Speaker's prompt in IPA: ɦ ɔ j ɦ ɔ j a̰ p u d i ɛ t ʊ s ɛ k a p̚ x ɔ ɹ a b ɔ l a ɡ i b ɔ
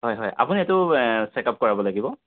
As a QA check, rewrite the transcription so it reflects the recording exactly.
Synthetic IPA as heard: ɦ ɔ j ɦ ɔ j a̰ p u n i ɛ t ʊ s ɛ k a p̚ k ɔ ɹ a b ɔ l a ɡ i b ɔ